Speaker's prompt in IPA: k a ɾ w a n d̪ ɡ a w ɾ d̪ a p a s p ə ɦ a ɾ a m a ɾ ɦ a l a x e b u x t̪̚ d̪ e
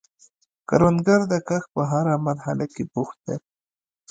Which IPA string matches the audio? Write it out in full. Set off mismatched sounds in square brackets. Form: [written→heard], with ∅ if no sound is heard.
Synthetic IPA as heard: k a ɾ w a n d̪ ɡ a [w→∅] ɾ d̪ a [p→k] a [s→x] p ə ɦ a ɾ a m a ɾ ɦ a l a [x→k] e b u x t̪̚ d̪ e